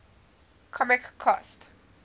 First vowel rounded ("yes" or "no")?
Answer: yes